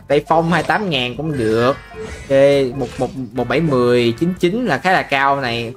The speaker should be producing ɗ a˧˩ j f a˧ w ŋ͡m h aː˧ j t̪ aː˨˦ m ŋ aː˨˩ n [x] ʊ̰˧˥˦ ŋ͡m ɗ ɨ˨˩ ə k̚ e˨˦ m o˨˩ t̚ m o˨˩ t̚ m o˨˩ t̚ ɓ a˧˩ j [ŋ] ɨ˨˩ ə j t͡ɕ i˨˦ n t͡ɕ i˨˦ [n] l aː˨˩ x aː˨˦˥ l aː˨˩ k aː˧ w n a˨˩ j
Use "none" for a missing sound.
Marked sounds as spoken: k, m, n

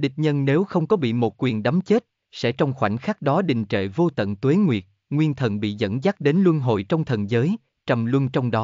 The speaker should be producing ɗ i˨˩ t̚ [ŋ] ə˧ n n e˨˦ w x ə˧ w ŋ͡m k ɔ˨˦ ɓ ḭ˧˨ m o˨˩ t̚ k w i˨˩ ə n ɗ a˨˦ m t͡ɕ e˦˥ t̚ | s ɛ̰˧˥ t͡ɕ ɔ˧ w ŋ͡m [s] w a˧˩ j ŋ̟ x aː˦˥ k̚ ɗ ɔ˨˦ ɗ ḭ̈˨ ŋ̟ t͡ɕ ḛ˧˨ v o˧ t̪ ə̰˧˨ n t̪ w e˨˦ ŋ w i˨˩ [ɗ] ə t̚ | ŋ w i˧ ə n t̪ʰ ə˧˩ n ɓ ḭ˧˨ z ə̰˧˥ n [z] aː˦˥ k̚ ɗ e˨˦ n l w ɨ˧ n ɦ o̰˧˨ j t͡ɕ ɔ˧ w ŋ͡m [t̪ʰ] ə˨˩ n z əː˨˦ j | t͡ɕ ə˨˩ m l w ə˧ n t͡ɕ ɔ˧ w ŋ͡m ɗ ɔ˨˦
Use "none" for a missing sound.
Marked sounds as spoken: ɲ, x, none, z, t̪ʰ

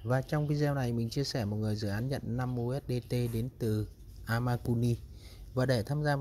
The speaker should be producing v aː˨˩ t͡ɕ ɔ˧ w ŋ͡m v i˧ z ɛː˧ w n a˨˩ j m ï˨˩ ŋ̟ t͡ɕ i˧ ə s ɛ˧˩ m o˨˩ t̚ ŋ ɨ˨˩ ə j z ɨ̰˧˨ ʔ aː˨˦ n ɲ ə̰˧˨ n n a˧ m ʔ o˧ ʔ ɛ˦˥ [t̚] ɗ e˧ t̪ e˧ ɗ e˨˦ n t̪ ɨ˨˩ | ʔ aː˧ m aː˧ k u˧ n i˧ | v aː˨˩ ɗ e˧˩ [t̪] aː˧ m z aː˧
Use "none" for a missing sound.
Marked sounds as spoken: t̚, t̪ʰ

